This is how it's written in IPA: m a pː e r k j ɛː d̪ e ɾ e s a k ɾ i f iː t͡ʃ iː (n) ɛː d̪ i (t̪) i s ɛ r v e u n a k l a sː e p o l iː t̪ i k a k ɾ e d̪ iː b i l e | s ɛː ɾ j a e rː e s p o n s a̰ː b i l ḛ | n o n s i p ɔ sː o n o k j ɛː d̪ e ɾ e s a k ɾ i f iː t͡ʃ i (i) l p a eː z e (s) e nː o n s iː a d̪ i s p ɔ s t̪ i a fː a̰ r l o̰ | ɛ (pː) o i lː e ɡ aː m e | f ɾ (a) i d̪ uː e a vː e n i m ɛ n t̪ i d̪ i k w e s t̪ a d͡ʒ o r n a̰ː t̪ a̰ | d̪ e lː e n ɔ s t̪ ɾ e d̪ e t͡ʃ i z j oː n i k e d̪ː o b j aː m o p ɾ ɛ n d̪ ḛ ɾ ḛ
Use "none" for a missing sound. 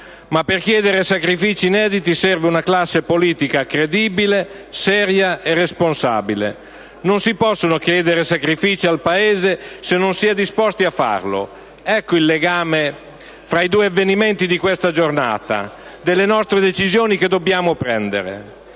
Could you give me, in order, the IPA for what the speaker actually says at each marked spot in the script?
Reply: n, t̪, a, s, kː, a

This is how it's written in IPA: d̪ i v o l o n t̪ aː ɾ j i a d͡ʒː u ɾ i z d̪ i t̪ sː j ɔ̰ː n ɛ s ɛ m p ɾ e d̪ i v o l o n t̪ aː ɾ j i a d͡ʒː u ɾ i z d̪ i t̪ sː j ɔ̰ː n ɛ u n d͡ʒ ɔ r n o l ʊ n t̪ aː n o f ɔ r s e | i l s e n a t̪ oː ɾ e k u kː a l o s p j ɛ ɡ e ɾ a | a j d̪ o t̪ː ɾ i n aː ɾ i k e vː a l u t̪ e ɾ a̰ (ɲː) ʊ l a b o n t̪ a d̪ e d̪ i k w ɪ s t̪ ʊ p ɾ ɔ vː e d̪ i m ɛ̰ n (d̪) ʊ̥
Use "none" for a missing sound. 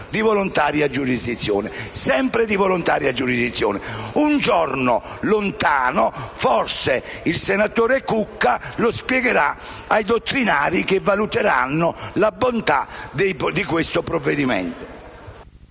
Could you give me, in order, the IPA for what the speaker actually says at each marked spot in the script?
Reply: nː, t̪

